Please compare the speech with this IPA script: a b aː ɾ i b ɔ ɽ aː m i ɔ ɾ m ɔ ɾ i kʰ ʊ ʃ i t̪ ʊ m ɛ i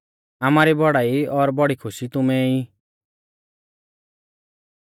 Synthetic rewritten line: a m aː ɾ i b ɔ ɽ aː i ɔ ɾ b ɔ ɽ i kʰ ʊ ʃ i t̪ ʊ m ɛ i